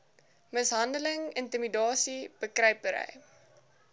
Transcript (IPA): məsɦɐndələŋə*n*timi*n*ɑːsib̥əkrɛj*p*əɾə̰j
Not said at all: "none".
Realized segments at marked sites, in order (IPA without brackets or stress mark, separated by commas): n, d, p